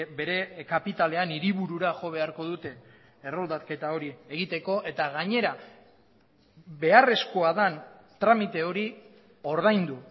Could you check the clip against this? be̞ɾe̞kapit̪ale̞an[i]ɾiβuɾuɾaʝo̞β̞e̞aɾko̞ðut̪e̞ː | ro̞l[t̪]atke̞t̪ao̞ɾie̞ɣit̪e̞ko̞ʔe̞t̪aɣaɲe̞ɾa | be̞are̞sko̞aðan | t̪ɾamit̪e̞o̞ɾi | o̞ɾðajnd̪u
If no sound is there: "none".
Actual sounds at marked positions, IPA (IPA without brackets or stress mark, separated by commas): i, d̪